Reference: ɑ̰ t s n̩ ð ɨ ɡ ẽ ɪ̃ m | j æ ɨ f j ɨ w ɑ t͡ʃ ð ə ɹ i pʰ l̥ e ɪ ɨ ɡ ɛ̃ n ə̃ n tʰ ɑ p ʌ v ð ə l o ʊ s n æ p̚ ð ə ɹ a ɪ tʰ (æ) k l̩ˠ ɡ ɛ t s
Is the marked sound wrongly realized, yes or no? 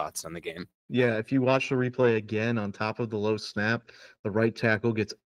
no